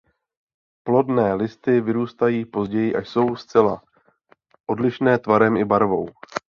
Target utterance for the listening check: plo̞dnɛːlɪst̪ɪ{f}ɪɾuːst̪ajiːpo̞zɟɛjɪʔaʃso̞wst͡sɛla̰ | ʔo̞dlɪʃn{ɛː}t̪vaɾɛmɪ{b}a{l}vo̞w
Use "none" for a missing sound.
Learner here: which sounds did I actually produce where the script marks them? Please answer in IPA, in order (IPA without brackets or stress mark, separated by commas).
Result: v, ɛː, b, ɾ